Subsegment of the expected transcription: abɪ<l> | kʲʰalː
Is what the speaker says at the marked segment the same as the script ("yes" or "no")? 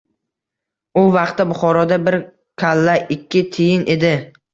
no